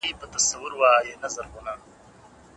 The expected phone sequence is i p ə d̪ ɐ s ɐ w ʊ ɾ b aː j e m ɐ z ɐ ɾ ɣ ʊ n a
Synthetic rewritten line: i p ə t̪ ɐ s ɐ w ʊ ɾ w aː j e n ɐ z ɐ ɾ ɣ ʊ n a